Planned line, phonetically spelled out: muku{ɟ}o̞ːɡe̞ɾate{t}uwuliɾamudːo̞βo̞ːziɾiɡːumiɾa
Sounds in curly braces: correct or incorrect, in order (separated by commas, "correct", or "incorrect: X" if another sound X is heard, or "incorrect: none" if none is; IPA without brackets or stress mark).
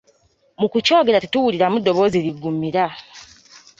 incorrect: c, correct